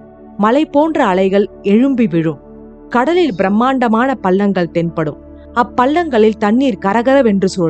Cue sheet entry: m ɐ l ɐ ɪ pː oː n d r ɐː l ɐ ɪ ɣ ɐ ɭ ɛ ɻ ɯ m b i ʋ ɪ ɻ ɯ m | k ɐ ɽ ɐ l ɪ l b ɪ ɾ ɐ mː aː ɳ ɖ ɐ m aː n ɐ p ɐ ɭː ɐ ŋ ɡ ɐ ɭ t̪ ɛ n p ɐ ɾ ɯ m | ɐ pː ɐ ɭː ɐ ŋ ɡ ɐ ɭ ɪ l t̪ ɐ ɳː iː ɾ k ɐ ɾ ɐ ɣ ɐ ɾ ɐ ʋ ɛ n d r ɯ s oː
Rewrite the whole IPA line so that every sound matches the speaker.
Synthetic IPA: m ɐ l ɐ ɪ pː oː n d r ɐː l ɐ ɪ ɣ ɐ ɭ ɛ ɻ ɯ m b i ʋ ɪ ɻ ɯ m | k ɐ ɽ ɐ l ɪ l b ɪ ɾ ɐ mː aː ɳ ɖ ɐ m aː n ɐ p ɐ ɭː ɐ ŋ ɡ ɐ ɭ t̪ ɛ n p ɐ ɽ ɯ m | ɐ pː ɐ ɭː ɐ ŋ ɡ ɐ ɭ ɪ l t̪ ɐ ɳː iː ɾ k ɐ ɾ ɐ ɣ ɐ ɾ ɐ ʋ ɛ n d r ɯ s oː